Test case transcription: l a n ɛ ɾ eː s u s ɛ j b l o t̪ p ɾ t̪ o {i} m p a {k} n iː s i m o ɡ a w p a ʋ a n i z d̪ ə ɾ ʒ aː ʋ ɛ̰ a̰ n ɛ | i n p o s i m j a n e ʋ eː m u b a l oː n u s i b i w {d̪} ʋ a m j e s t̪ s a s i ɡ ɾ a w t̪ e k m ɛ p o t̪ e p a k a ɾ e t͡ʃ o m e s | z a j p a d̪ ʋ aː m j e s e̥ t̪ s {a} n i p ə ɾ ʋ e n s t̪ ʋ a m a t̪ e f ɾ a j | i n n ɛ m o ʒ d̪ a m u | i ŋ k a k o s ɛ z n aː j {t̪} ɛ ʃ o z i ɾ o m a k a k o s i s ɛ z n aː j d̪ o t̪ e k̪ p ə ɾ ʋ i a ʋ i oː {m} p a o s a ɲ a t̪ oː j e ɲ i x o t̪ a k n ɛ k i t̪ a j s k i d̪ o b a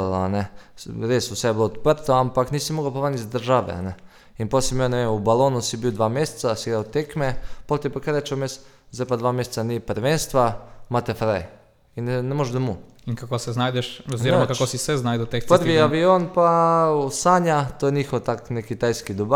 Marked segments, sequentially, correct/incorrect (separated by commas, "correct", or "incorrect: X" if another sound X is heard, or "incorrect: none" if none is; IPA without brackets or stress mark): incorrect: a, correct, correct, correct, incorrect: d̪, incorrect: n